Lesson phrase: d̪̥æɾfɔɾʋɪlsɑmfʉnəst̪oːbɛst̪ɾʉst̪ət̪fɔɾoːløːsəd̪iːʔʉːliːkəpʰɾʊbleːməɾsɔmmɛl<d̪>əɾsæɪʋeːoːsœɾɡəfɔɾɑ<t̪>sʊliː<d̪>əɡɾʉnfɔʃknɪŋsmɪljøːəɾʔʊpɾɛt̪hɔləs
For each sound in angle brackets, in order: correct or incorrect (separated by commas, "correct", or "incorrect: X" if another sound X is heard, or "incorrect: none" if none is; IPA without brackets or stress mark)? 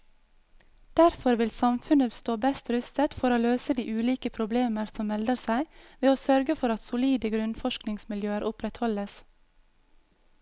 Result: correct, correct, correct